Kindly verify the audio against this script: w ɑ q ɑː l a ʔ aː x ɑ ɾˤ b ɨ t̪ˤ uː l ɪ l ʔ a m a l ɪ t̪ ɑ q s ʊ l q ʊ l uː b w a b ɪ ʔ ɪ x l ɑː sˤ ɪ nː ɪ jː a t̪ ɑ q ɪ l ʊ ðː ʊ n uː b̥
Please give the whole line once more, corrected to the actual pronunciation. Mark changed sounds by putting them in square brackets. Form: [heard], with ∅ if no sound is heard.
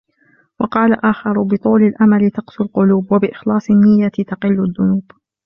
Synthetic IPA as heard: w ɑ q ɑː l a ʔ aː x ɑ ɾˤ b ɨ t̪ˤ uː l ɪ l ʔ a m a l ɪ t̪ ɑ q s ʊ l q ʊ l uː b w a b ɪ ʔ ɪ x l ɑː sˤ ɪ nː ɪ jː a t̪ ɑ q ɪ [lː] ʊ ðː ʊ n uː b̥